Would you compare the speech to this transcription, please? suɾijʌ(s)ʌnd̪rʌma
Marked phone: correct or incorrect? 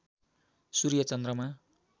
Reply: incorrect